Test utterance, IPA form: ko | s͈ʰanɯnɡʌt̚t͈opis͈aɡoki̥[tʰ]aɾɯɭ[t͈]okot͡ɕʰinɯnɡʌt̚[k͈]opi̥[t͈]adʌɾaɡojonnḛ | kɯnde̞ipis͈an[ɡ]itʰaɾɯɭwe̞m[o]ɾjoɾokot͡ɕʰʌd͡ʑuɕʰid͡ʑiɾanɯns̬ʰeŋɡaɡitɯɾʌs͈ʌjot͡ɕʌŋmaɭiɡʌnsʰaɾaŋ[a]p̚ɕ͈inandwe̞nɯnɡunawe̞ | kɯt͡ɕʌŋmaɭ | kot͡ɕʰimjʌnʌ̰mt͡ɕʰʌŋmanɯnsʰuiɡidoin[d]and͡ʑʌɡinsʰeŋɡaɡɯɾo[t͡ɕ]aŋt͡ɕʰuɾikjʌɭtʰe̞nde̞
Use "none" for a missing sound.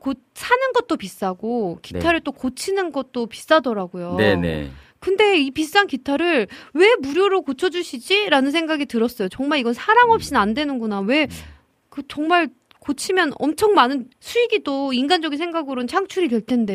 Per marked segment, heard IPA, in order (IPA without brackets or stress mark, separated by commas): tʰ, t͈, t͈, s͈, k, u, ʌ, ɡ, t͡ɕʰ